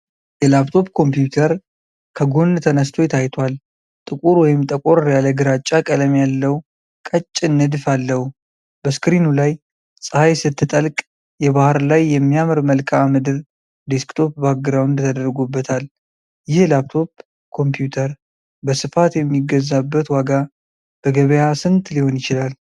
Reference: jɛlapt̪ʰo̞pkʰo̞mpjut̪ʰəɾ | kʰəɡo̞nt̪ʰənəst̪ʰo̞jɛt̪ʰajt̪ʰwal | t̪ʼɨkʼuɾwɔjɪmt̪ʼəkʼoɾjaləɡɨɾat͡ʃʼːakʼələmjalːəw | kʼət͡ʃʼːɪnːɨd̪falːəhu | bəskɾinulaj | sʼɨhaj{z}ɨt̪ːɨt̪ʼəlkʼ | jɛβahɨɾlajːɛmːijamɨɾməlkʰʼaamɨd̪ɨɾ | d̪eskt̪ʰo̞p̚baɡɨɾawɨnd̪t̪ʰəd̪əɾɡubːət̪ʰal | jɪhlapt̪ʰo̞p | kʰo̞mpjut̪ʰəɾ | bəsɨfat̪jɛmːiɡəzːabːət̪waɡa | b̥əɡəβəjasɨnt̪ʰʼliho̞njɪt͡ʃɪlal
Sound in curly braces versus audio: incorrect: s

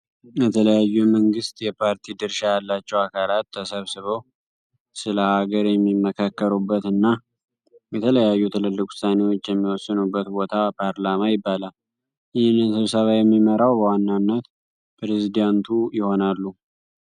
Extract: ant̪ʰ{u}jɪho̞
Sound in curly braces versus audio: correct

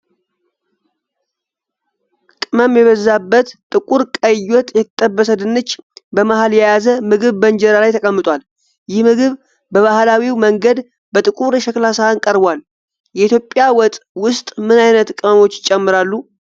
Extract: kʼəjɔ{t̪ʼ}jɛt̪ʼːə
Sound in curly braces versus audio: correct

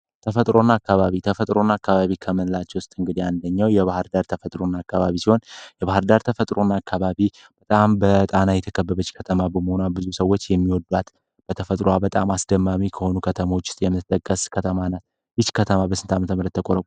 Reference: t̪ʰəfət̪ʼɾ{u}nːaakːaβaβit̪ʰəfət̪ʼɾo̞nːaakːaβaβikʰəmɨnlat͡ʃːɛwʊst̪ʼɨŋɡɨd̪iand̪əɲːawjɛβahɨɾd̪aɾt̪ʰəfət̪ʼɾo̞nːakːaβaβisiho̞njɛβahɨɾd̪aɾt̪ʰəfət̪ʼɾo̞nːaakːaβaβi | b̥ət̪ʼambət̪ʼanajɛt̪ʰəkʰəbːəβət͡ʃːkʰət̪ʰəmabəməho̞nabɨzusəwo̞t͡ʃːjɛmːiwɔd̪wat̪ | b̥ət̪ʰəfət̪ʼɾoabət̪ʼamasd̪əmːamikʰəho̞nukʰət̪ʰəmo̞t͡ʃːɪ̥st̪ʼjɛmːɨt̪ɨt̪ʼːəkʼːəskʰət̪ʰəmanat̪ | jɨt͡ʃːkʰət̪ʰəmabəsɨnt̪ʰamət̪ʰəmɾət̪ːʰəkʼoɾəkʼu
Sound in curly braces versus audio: incorrect: o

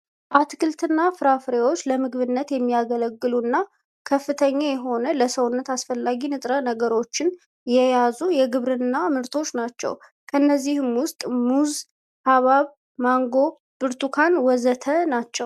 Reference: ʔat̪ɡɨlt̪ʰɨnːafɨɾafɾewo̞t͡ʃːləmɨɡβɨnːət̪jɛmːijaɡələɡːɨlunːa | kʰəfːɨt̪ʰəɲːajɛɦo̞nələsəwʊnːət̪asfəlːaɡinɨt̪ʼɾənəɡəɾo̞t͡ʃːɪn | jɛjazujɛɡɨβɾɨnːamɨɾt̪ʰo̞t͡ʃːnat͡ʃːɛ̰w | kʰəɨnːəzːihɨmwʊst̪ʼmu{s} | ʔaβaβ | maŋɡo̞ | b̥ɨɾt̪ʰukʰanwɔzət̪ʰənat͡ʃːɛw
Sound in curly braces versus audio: incorrect: z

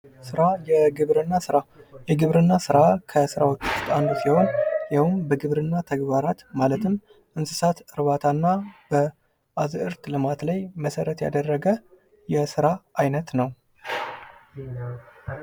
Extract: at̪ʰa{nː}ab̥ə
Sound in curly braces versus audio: correct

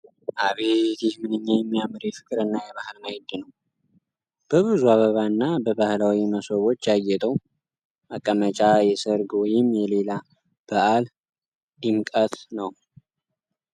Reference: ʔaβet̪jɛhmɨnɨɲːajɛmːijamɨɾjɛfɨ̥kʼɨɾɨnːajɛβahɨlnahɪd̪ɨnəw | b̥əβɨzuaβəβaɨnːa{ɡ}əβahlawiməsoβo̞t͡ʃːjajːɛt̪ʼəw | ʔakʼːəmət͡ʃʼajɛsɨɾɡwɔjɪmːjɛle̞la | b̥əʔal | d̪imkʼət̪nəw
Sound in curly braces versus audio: incorrect: b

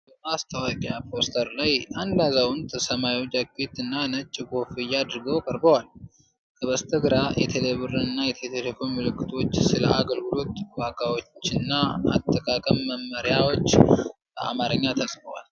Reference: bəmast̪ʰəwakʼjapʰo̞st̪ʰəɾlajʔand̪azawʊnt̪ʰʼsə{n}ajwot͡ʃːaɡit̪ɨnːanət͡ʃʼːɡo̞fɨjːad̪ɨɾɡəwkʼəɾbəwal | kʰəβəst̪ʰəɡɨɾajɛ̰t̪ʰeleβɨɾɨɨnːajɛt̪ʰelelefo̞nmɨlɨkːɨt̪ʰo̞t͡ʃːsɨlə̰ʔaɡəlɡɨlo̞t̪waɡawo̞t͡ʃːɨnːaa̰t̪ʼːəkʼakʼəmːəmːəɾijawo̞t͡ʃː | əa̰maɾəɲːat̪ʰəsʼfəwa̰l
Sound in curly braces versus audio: incorrect: m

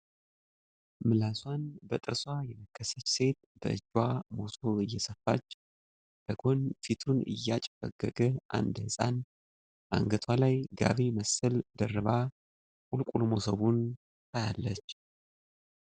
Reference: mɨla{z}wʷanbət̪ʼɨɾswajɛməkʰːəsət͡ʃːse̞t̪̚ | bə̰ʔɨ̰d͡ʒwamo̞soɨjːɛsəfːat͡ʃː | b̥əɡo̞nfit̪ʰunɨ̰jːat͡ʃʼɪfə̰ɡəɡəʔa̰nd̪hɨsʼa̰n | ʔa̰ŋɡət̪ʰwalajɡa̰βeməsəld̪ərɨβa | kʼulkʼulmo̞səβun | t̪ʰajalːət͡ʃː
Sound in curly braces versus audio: incorrect: s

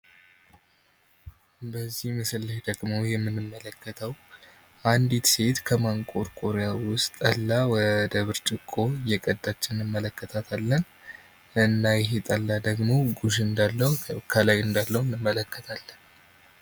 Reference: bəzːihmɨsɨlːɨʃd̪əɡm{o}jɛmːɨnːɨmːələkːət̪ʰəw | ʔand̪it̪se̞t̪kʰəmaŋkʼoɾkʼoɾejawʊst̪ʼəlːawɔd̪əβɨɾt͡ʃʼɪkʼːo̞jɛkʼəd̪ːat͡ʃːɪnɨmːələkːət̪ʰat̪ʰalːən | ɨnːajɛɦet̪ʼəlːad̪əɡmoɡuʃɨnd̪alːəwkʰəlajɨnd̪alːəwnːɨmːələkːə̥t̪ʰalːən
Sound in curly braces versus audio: correct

